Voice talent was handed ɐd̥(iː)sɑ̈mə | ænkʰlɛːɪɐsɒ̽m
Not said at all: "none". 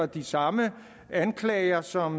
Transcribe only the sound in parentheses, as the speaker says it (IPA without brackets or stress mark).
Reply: i